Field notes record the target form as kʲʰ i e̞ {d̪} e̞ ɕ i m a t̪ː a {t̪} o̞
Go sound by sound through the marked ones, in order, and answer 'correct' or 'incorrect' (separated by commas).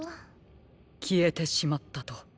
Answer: incorrect, correct